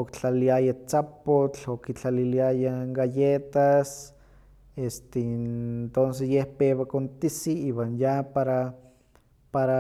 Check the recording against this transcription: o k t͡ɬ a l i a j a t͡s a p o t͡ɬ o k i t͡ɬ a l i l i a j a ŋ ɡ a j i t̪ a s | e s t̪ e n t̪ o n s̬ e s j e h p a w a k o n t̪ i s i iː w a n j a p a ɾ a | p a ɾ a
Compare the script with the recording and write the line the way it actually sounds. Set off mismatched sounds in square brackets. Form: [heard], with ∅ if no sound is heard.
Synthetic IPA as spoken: o k t͡ɬ a l i a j a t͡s a p o t͡ɬ o k i t͡ɬ a l i l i a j a ŋ ɡ a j [e] t̪ a s | e s t̪ e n t̪ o n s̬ e s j e h p [e] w a k o n t̪ i s i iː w a n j a p a ɾ a | p a ɾ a